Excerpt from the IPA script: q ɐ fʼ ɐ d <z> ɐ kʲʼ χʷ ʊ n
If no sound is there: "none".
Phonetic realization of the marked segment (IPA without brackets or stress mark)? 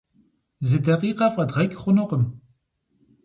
ʁ